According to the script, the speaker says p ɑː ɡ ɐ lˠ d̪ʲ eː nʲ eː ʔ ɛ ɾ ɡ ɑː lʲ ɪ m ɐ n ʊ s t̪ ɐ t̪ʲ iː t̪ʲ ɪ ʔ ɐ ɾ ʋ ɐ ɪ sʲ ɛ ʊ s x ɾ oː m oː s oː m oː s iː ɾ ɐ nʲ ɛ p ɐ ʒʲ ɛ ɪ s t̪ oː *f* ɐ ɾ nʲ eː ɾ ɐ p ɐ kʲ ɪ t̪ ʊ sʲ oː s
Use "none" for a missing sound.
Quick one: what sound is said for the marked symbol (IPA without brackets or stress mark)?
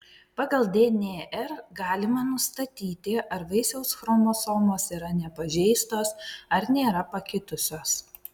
s